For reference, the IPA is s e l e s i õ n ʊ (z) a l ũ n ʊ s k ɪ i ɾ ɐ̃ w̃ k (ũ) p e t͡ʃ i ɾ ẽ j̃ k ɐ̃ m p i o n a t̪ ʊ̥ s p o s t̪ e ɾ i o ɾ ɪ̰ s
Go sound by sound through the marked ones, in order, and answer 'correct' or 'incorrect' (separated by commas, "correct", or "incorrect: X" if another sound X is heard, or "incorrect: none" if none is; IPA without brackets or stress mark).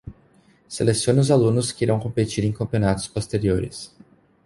correct, incorrect: õ